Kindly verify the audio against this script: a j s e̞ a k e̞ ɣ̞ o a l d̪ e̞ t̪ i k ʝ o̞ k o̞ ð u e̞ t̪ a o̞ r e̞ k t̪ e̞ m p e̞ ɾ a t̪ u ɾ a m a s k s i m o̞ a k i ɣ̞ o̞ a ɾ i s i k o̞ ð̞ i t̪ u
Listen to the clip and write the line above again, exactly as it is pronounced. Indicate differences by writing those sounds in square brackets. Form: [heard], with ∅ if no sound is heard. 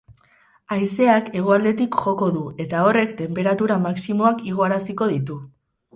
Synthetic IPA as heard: a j s e̞ a k e̞ ɣ̞ o a l d̪ e̞ t̪ i k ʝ o̞ k o̞ ð u e̞ t̪ a o̞ r e̞ k t̪ e̞ m p e̞ ɾ a t̪ u ɾ a m a [∅] k s i m o̞ a k i ɣ̞ o̞ a ɾ [a] s i k o̞ ð̞ i t̪ u